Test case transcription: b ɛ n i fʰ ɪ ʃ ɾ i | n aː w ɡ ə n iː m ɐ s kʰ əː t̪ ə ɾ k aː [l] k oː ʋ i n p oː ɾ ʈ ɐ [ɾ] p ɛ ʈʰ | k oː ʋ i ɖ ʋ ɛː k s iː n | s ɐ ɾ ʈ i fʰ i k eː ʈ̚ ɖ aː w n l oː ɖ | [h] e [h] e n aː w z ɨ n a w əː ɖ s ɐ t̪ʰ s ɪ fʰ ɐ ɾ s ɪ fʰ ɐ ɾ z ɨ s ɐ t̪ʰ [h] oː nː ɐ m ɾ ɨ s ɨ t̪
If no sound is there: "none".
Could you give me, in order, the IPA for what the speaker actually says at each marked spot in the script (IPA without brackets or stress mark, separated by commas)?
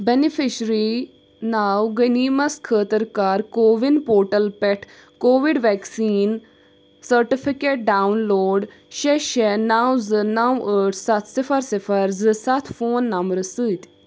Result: ɾ, l, ʃ, ʃ, f